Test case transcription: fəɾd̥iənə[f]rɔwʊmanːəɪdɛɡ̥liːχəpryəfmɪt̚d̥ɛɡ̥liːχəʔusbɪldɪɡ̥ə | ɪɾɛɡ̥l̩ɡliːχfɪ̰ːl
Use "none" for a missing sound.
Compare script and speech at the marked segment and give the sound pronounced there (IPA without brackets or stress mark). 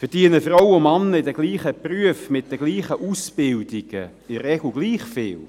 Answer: f